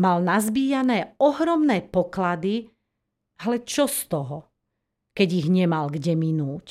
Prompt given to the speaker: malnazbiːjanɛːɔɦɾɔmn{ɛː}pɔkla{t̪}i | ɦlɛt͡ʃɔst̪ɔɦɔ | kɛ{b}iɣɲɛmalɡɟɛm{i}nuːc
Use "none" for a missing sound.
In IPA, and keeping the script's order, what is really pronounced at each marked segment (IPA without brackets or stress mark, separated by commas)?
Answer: ɛː, d̪, ɟ, i